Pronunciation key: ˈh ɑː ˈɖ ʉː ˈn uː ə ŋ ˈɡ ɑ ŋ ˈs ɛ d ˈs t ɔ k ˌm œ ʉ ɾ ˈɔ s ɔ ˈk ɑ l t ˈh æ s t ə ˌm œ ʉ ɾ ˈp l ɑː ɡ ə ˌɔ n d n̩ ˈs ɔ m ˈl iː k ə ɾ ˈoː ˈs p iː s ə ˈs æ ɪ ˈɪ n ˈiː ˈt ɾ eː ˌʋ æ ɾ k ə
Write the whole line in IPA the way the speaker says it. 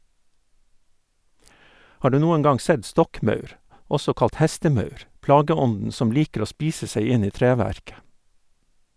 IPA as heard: ˈh ɑː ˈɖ ʉː ˈn uː ə ŋ ˈɡ ɑ ŋ ˈs ɛ d ˈs t ɔ k ˌm œ ʉ ɾ ˈɔ s ɔ ˈk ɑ l t ˈh æ s t ə ˌm œ ʉ ɾ ˈp l ɑː ɡ ə ˌɔ n d n̩ ˈs ɔ m ˈl iː k ə ɾ ˈoː ˈs p iː s ə ˈs æ ɪ ˈɪ n ˈiː ˈt ɾ eː ˌʋ æ ɾ k ə